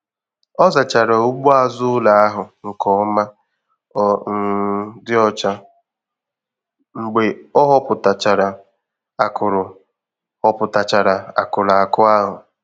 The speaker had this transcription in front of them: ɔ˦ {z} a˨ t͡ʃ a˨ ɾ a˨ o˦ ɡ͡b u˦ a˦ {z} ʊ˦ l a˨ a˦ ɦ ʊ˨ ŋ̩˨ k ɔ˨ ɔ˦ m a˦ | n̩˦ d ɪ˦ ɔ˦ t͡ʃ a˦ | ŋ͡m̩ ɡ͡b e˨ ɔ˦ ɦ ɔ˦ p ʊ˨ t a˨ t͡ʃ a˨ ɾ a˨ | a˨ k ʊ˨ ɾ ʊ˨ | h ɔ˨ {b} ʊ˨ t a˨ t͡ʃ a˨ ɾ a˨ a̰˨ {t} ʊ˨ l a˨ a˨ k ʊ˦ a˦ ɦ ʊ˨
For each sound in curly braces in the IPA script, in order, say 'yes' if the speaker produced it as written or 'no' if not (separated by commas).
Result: yes, yes, no, no